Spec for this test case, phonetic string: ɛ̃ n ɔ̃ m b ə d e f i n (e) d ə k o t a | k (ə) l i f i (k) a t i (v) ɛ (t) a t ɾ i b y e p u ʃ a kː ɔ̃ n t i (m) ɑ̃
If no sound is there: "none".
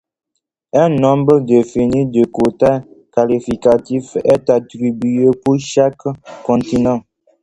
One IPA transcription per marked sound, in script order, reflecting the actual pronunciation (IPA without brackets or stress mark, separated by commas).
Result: i, a, k, f, t, n